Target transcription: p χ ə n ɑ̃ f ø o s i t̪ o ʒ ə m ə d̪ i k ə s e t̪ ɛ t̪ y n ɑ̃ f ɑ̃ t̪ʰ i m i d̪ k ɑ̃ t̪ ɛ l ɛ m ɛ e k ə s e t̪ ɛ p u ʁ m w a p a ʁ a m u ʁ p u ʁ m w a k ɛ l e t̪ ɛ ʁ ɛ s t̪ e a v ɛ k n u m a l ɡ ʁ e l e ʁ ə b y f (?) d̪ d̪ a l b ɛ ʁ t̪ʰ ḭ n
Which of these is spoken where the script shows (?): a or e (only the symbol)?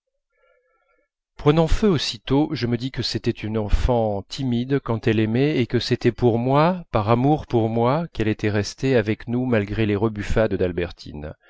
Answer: a